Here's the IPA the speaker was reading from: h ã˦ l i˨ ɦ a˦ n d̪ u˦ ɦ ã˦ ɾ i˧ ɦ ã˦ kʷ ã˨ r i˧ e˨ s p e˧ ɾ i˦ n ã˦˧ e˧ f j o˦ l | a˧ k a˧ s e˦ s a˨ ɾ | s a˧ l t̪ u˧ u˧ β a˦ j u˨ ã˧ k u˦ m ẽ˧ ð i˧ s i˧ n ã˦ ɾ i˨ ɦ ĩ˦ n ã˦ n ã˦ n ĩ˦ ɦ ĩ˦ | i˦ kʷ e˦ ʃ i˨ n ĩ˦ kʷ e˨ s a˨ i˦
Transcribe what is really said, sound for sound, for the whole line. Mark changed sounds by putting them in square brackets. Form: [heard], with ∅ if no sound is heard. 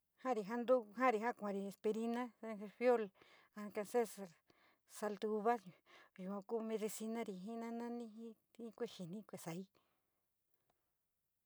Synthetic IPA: h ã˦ [ɾ] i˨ ɦ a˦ n d̪ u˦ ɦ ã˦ ɾ i˧ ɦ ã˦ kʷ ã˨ [ɾ] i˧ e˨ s p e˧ ɾ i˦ n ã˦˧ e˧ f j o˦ l | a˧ k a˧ s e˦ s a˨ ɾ | s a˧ l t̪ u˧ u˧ β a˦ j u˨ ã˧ k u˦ m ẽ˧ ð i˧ s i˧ n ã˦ ɾ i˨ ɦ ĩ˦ n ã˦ n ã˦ n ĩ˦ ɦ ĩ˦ | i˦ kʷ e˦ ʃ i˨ n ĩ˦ kʷ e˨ s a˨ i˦